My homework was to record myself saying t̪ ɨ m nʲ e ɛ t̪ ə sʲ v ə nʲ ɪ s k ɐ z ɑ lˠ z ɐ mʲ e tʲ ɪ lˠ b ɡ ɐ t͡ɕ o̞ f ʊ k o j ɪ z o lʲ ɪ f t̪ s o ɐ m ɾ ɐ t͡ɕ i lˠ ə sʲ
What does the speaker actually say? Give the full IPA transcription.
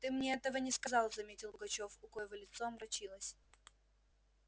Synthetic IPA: t̪ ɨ m nʲ e ɛ t̪ ə v ə nʲ ɪ s k ɐ z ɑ lˠ z ɐ mʲ e tʲ ɪ lˠ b ɡ ɐ t͡ɕ o̞ f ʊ k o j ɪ v o lʲ ɪ t̪ s o ɐ m ɾ ɐ t͡ɕ i lˠ ə sʲ